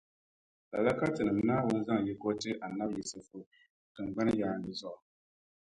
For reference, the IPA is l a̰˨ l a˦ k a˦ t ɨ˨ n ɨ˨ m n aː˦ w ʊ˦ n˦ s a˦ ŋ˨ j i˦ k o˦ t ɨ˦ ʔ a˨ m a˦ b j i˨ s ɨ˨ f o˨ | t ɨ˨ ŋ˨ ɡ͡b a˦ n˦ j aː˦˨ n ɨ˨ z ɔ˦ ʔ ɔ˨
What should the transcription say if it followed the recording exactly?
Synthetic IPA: l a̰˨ l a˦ k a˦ t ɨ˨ n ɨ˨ m n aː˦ w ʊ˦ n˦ z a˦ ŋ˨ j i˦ k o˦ t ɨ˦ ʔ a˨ n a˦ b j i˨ s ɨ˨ f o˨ | t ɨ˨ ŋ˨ ɡ͡b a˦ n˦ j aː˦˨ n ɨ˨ z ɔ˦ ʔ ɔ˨

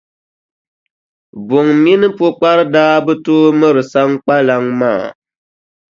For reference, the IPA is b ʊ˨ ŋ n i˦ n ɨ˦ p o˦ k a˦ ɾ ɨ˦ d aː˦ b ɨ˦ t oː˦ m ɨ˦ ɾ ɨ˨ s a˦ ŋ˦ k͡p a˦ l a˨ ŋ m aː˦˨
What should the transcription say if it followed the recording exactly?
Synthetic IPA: b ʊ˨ ŋ m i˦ n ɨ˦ p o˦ k͡p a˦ ɾ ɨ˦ d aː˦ b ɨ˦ t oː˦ m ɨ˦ ɾ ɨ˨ s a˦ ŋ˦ k͡p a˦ l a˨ ŋ m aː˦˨

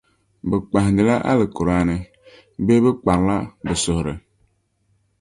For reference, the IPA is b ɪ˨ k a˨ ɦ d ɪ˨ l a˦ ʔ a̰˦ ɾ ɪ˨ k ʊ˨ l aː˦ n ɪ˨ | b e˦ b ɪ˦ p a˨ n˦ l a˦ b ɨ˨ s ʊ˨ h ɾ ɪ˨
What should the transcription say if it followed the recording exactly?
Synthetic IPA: b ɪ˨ k͡p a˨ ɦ d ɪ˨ l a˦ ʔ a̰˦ l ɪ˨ k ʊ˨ ɾ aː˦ n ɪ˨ | b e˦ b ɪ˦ k͡p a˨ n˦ l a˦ b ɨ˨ s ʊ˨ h ɾ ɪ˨

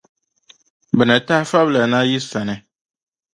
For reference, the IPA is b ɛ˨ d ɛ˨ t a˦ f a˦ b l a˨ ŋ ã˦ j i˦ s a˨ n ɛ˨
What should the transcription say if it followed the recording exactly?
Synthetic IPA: b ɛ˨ n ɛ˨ t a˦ f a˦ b l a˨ n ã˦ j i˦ s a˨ n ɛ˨

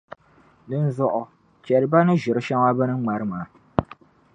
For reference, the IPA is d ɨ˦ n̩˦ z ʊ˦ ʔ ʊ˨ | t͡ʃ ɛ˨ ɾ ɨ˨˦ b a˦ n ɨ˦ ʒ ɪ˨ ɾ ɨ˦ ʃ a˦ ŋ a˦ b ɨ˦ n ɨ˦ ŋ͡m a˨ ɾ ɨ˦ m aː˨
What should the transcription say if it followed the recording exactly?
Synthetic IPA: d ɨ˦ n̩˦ z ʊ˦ ʔ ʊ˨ | t͡ʃ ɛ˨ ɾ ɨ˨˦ b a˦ n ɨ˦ ʒ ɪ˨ ɾ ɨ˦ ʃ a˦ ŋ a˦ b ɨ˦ n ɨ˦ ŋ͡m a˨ ɾ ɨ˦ m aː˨

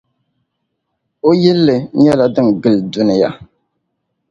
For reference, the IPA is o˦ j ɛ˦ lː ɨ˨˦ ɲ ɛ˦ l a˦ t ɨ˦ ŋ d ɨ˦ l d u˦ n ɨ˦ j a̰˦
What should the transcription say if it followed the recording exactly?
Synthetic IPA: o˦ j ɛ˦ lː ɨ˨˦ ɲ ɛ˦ l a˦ d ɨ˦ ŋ ɡ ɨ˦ l d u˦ n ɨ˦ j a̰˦

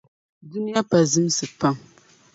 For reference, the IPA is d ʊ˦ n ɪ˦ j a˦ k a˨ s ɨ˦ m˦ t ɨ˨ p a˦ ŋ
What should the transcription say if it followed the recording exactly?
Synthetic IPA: d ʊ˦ n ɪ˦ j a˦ p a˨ z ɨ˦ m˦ s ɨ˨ p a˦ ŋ

